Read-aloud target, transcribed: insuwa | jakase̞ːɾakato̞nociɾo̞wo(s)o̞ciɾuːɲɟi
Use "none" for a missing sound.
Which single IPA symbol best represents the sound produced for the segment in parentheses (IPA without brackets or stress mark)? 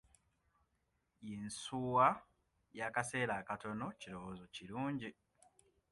z